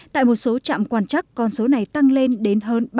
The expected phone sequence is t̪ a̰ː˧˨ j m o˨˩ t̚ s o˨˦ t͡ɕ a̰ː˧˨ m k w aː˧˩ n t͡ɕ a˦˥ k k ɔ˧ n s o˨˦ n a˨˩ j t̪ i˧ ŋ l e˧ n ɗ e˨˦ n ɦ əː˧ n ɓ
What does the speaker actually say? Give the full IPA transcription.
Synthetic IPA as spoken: t̪ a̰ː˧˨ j m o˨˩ t̚ s o˨˦ t͡ɕ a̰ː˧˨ m k w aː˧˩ n t͡ɕ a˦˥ k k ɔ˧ n s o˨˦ n a˨˩ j t̪ a˧ ŋ l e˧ n ɗ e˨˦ n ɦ əː˧ n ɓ